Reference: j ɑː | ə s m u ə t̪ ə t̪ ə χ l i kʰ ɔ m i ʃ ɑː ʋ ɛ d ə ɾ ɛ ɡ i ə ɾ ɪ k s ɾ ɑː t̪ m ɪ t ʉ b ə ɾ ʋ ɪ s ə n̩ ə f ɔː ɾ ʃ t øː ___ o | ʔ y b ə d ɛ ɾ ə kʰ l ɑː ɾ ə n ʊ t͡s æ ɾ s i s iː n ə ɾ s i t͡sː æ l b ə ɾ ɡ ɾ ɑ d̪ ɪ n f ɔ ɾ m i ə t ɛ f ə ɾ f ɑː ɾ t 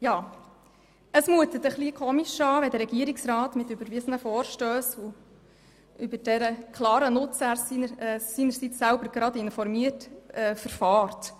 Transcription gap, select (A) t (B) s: B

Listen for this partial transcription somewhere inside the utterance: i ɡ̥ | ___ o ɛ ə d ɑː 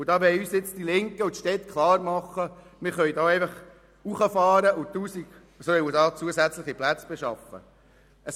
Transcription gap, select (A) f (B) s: B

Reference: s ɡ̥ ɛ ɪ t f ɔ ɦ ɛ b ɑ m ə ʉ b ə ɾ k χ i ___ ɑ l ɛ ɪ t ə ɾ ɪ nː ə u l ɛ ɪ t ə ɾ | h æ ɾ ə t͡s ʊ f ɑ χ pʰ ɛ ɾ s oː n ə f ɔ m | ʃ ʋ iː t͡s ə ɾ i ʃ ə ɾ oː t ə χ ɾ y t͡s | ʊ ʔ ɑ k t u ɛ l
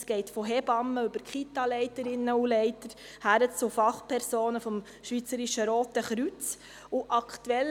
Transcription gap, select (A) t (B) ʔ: A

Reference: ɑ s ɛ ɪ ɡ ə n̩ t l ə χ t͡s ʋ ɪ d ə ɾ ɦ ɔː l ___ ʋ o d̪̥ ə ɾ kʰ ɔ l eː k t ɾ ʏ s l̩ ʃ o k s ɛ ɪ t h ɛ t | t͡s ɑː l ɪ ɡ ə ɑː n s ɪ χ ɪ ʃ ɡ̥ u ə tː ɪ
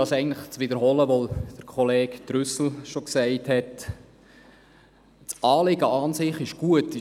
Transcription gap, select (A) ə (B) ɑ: A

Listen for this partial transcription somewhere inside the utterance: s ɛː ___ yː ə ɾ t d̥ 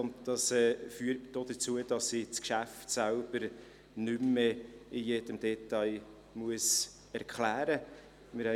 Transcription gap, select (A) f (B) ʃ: A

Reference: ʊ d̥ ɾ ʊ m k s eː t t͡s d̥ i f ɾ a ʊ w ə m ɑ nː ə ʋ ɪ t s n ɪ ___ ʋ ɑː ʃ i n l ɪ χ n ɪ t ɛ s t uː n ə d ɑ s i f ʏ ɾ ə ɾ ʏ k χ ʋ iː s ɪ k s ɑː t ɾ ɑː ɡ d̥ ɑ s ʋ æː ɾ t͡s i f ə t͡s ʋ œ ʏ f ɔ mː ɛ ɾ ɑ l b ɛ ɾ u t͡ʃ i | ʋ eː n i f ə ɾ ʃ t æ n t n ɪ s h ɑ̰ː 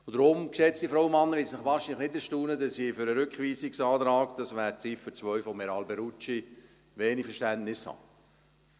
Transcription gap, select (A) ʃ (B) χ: B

